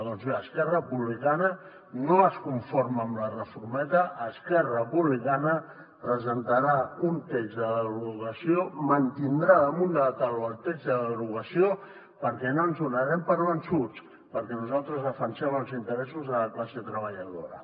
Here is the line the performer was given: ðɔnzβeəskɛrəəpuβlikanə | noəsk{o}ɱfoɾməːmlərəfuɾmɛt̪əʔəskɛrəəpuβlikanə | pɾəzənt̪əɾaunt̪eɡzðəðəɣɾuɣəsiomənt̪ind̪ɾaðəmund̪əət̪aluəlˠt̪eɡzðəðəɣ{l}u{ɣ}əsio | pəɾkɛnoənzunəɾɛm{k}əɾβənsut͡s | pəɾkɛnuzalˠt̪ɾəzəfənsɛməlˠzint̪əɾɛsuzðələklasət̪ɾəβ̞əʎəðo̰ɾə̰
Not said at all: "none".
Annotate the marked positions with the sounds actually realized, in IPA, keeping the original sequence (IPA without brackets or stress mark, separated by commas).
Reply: u, ɾ, ɣ, p